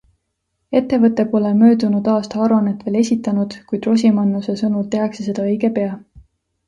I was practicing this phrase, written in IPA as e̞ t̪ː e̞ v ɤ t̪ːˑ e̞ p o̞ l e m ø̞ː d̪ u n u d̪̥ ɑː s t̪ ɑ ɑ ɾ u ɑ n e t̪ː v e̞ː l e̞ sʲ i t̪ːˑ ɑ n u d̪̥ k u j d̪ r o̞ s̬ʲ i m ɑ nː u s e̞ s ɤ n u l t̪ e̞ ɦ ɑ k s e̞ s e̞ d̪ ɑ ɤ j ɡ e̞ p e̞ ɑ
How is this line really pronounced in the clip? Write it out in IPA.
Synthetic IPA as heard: e̞ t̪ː e̞ v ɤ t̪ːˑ e̞ p o̞ l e m ø̞ː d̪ u n u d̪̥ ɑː s t̪ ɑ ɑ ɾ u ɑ n e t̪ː v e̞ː l e̞ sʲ i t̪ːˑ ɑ n u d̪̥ k u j d̪ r o̞ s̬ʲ i m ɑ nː u s e̞ s ɤ n u l t̪ e̞ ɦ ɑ k s e̞ s e̞ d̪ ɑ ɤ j ɡ e̞ p e̞ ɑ